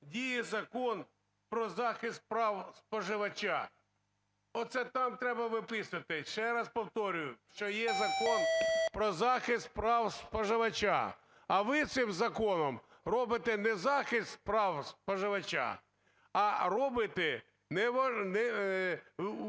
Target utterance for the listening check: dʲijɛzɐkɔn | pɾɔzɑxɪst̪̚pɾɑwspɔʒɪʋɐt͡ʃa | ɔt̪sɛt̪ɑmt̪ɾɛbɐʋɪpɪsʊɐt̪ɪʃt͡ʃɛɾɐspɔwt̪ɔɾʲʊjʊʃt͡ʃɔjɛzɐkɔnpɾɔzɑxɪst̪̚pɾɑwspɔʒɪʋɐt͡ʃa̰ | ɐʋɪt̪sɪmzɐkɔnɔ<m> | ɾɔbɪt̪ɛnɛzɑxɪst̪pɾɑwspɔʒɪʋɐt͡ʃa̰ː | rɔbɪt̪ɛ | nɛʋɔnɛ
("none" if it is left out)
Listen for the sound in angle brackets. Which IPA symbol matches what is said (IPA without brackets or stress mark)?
m